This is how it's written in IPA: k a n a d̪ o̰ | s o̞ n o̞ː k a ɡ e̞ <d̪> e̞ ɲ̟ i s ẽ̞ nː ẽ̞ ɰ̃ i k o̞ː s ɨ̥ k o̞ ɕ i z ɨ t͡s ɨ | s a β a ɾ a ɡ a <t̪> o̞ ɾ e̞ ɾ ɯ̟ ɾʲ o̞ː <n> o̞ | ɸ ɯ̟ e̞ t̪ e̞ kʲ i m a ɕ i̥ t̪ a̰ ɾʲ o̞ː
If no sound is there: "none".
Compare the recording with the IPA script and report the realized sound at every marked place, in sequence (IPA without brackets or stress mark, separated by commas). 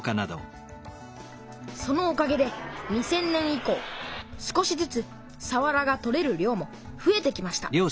d̪, t̪, m